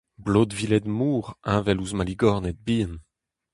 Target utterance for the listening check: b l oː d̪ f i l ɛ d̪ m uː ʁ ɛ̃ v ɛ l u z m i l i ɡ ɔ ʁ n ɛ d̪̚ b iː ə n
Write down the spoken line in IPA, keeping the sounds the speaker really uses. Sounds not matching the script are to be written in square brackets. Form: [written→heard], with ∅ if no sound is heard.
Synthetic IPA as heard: b l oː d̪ [f→v] i l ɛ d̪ m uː ʁ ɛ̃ v ɛ l u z m [i→a] l i ɡ ɔ ʁ n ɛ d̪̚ b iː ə n